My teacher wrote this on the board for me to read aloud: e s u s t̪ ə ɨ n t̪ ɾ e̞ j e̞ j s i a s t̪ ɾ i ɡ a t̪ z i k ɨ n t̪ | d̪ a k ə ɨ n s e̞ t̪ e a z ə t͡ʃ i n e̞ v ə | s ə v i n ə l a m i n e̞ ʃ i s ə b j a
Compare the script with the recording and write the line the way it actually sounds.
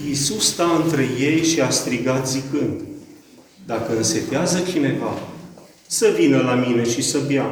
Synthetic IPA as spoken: i s u s t̪ a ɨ n t̪ ɾ e̞ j e̞ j ʃ i a s t̪ ɾ i ɡ a t̪ z i k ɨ n d̪ | d̪ a k ə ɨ n s e̞ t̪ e a z ə t͡ʃ i n e̞ v a | s ə v i n ə l a m i n e̞ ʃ i s ə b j a